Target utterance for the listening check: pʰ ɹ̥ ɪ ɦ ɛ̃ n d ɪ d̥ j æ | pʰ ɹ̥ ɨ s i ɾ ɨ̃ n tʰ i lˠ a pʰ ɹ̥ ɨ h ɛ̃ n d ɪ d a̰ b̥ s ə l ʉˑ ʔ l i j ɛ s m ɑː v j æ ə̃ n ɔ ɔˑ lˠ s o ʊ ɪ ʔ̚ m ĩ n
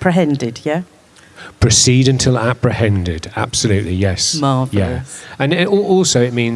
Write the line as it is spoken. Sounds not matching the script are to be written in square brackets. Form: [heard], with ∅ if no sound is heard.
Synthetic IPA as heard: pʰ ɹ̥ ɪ ɦ ɛ̃ n d ɪ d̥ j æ | pʰ ɹ̥ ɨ s i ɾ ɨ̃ n tʰ [ɪ] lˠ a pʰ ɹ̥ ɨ h ɛ̃ n d ɪ d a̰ b̥ s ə l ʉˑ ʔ l i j ɛ s m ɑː v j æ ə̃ n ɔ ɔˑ lˠ s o ʊ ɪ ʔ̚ m ĩ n